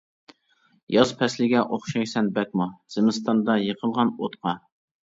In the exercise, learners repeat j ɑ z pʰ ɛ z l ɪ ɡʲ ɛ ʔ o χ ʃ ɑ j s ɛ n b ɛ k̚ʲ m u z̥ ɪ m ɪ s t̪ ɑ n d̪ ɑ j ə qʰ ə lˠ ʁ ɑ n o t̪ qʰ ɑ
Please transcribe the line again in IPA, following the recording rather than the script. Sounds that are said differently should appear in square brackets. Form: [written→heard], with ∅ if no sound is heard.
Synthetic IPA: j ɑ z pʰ ɛ [z→s] l ɪ ɡʲ ɛ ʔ o χ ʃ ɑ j s ɛ n b ɛ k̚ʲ m u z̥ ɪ m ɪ s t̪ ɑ n d̪ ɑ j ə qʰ ə lˠ ʁ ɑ n o t̪ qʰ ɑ